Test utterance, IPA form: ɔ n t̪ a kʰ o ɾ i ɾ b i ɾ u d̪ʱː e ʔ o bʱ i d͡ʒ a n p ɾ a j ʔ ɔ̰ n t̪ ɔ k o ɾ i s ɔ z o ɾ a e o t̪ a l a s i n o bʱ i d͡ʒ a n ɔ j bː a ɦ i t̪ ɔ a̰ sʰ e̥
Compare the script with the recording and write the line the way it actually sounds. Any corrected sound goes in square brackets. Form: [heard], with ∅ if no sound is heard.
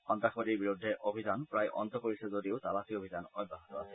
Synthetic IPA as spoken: ɔ n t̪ a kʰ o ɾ i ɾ b i ɾ u d̪ʱː e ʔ o bʱ i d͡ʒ a n p ɾ a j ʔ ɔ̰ n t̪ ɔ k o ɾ i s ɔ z o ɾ [i] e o t̪ a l a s i [∅] o bʱ i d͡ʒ a n ɔ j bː a ɦ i t̪ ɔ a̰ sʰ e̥